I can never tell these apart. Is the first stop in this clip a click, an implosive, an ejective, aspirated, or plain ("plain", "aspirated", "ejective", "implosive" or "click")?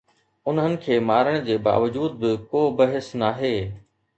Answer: aspirated